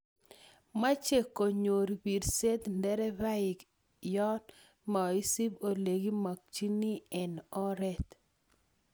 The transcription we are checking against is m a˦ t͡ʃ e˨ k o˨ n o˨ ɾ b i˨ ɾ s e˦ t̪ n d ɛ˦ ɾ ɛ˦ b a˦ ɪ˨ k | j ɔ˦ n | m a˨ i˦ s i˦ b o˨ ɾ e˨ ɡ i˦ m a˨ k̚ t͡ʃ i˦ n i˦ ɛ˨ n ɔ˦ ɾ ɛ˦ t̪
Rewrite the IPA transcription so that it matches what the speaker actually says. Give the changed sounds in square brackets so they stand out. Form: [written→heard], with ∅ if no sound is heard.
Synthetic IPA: m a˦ t͡ʃ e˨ k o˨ [n→ɲ] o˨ ɾ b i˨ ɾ s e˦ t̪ n d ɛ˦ ɾ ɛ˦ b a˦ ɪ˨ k | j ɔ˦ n | m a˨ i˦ s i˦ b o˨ [ɾ→l] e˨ ɡ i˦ m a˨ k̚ t͡ʃ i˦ n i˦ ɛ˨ n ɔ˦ ɾ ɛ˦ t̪